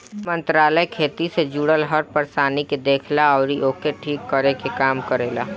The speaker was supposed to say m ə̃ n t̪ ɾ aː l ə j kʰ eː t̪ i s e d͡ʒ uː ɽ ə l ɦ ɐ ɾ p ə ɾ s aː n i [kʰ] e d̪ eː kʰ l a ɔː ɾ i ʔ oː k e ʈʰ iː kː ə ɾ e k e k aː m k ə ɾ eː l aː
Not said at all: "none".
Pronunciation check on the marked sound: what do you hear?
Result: k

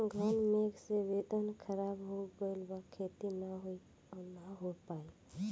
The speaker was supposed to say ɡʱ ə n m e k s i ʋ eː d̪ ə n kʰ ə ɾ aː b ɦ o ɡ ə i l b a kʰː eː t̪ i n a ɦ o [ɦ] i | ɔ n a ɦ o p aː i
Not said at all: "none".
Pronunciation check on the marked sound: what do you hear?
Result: none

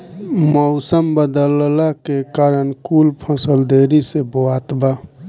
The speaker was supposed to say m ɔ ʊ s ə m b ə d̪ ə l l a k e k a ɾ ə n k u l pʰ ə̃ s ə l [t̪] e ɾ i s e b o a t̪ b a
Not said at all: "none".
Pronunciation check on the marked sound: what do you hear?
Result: d̪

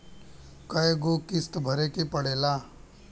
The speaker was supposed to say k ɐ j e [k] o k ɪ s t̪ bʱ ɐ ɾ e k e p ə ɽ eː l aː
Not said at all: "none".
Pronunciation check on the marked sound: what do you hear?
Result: ɡ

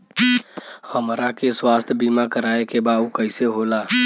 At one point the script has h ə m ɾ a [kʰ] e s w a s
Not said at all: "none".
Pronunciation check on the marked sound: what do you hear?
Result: k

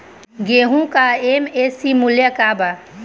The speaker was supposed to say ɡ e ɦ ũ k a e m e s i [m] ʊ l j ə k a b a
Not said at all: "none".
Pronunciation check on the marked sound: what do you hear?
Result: m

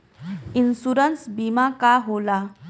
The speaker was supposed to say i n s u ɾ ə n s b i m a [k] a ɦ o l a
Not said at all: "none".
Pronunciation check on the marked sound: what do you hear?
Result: k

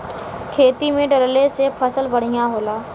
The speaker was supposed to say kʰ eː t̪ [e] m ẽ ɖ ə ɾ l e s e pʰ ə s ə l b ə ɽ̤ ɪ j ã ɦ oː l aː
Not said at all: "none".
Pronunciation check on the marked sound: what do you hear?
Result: i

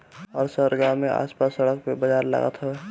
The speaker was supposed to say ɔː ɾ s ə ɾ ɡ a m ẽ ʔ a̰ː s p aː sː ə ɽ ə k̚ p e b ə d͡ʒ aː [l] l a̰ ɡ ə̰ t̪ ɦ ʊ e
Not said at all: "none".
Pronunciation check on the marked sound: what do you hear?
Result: ɾ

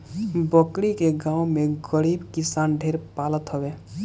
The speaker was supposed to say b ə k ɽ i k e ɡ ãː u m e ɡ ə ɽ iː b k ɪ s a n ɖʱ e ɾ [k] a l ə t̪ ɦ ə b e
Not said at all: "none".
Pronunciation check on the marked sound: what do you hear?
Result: p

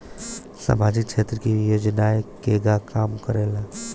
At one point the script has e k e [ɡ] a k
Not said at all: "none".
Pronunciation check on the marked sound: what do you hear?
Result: ɡ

